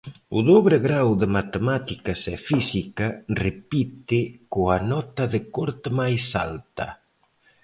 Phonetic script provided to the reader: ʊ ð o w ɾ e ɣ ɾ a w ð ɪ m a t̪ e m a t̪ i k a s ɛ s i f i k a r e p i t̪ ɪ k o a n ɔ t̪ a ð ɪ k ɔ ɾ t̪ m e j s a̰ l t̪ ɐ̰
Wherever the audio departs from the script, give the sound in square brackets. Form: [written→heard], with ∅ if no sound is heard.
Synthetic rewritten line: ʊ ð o [w→β] ɾ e ɣ ɾ a w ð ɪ m a t̪ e m a t̪ i k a s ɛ [s→f] i [f→s] i k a r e p i t̪ ɪ k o a n ɔ t̪ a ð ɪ k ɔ ɾ t̪ m [e→a] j s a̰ l t̪ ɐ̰